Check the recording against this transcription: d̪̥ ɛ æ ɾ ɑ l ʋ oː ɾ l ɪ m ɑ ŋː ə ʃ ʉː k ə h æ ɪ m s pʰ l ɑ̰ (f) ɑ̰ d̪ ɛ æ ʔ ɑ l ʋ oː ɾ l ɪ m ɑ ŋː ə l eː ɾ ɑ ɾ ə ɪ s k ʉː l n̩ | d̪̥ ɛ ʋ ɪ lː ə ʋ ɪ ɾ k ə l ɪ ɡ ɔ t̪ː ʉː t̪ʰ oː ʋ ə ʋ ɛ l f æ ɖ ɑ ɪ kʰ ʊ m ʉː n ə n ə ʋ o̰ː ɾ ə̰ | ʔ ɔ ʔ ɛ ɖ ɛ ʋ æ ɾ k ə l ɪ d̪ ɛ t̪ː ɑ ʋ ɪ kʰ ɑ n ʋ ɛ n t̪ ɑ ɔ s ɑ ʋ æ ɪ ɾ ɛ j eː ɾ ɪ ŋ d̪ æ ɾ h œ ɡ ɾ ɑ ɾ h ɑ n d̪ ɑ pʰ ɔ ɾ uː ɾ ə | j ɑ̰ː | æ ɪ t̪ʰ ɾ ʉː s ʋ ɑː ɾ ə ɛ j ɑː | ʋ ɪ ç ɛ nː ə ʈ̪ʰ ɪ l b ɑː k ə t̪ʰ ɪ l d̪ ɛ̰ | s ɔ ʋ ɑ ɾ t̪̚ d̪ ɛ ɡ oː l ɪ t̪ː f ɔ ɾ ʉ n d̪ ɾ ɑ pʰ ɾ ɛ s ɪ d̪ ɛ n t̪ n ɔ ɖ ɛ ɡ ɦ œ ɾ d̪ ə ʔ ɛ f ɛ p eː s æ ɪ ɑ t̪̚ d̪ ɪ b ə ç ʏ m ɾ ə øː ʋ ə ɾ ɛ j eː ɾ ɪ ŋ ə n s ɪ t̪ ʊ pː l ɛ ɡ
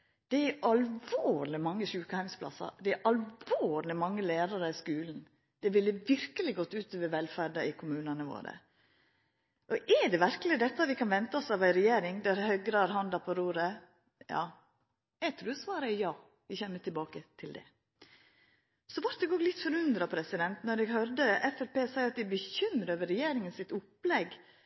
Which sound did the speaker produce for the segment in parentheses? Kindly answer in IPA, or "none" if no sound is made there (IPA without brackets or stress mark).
s